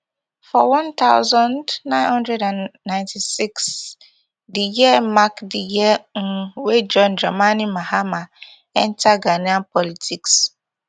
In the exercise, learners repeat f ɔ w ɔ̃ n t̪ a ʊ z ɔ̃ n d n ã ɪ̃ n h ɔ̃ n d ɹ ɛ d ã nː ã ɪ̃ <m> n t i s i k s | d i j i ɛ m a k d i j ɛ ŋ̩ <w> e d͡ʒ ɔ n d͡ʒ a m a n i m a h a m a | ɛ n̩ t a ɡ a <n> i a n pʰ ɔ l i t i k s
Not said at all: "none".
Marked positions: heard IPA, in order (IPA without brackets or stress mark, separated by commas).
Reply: none, w, n